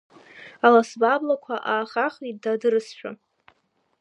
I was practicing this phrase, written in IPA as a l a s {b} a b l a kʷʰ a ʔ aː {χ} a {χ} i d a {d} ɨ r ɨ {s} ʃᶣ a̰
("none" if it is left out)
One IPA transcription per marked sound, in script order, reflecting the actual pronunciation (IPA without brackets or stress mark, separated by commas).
b, χ, χ, d, s